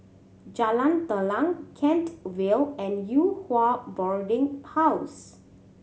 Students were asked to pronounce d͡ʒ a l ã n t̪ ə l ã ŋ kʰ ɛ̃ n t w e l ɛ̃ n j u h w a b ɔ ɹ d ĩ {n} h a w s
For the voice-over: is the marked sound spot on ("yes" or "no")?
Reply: no